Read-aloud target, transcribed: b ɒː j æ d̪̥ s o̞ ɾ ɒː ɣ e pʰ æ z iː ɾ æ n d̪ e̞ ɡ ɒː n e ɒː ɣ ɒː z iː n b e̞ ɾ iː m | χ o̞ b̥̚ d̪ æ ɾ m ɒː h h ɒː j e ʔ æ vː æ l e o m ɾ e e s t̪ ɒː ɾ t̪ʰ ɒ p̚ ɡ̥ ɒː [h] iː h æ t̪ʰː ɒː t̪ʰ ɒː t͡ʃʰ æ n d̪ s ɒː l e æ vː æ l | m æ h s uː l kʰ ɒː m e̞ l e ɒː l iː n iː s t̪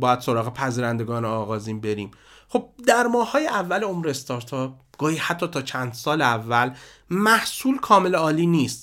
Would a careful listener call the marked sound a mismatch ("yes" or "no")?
no